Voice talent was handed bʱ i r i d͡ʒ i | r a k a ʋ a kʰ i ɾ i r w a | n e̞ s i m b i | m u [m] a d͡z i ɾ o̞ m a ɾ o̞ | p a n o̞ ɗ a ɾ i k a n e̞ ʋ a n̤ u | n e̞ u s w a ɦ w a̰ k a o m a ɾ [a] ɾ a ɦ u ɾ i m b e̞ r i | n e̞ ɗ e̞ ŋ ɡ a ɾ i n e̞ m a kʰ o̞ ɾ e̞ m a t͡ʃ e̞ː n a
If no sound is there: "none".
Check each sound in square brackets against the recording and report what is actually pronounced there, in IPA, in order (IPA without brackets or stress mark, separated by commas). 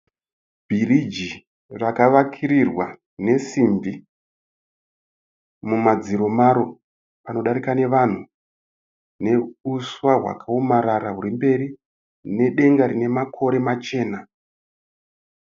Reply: m, a